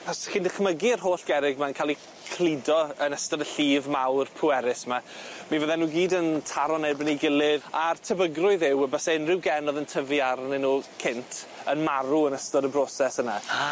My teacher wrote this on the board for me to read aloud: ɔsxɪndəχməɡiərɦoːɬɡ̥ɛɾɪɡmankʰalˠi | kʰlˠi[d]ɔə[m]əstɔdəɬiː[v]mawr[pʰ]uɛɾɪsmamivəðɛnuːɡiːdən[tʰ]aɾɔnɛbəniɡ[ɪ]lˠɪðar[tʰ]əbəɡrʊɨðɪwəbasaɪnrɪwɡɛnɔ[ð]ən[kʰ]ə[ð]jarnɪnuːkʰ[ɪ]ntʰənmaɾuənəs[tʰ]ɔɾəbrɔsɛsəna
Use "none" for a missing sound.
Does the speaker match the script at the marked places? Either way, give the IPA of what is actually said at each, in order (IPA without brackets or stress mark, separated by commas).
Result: d, n, v, pʰ, tʰ, ɪ, tʰ, ð, tʰ, v, ɪ, t